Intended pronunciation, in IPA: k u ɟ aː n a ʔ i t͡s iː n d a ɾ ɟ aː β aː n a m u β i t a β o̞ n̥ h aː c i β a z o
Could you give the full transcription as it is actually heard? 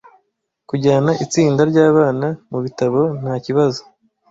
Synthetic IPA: k u ɟ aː n a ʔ i t͡s iː n d a ɾ ɟ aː β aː n a m u β i t a β o̞ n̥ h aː c i β a z o